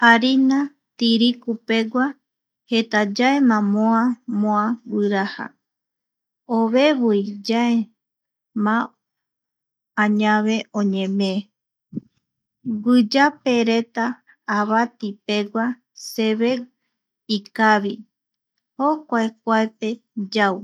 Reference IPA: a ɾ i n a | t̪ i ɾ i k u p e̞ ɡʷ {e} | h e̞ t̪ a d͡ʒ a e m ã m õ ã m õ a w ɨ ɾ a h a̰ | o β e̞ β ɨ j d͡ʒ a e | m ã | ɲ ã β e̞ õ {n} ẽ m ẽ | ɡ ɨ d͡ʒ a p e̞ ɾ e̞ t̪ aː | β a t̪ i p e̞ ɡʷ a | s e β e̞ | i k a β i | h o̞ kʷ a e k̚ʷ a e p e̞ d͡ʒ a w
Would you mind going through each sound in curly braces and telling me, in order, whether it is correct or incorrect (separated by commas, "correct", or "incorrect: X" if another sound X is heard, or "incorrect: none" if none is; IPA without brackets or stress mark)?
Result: incorrect: a, incorrect: ɲ